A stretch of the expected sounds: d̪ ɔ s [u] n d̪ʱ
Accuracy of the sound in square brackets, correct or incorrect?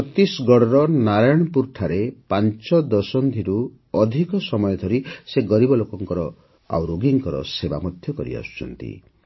incorrect: ɔ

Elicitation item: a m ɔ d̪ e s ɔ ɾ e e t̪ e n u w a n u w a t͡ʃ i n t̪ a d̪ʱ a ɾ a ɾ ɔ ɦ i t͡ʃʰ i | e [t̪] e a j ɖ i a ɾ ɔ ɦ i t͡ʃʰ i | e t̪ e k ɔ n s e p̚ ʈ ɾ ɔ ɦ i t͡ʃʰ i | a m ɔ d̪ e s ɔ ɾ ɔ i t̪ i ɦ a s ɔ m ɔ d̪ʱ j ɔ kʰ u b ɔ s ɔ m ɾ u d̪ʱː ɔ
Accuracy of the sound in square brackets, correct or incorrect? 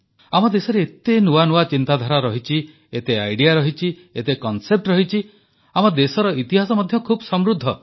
correct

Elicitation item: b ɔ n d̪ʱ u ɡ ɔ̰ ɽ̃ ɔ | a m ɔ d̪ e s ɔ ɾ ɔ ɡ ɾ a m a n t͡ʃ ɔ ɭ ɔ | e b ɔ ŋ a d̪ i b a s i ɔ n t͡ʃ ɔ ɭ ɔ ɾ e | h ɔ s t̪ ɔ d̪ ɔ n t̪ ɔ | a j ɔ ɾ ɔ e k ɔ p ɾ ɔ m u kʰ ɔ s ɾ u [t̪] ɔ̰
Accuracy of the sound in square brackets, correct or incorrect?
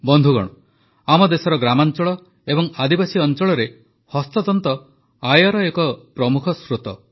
correct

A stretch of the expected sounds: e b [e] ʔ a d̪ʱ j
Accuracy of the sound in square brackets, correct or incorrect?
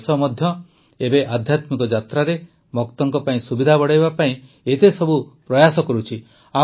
correct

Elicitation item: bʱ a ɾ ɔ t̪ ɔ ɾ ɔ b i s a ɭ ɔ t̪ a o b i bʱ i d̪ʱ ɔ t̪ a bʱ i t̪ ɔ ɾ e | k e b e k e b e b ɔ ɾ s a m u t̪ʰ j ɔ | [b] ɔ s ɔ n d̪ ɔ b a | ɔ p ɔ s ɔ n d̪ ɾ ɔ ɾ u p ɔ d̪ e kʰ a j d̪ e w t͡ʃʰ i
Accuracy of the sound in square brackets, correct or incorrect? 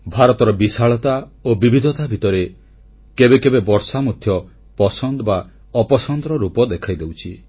incorrect: p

